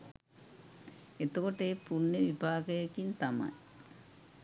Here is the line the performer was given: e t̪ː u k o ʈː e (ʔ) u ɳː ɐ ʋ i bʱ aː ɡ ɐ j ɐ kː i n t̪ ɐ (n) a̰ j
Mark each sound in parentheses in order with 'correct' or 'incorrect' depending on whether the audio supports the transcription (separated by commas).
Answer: incorrect, incorrect